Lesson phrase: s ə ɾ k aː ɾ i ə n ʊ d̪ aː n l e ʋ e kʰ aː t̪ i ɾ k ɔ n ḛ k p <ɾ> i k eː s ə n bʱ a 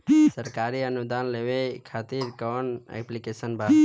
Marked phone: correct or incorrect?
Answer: incorrect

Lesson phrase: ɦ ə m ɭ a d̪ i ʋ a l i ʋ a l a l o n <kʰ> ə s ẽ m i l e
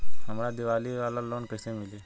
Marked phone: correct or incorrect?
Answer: incorrect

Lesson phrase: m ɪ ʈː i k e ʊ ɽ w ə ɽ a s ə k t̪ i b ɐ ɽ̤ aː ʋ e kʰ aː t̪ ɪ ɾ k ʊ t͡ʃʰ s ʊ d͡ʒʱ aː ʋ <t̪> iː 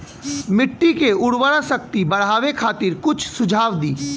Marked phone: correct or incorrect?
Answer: incorrect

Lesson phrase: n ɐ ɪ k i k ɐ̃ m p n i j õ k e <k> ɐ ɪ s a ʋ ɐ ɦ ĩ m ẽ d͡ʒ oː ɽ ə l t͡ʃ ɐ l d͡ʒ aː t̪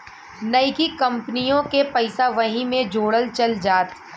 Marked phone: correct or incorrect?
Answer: incorrect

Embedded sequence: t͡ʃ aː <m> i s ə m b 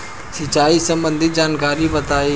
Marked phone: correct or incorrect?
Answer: incorrect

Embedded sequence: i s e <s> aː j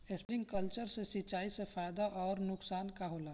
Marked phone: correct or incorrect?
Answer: incorrect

